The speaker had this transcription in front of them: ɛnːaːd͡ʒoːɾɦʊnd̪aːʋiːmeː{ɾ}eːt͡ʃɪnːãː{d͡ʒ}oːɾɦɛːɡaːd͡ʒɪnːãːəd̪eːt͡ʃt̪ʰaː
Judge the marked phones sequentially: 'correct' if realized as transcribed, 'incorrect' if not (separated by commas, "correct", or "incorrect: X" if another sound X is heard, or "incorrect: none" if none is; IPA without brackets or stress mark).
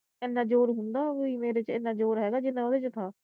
correct, correct